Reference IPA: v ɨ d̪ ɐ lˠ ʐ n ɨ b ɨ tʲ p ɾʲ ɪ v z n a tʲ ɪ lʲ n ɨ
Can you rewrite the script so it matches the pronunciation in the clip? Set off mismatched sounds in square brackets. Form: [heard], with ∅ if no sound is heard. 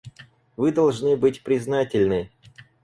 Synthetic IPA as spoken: v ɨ d̪ ɐ lˠ ʐ n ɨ b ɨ tʲ p ɾʲ ɪ [∅] z n a tʲ ɪ lʲ n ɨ